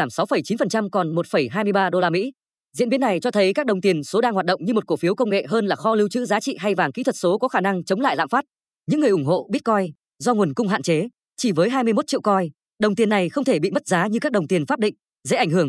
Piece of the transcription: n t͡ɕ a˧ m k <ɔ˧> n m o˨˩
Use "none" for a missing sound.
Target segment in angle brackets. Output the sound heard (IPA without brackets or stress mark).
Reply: ɔ˨˩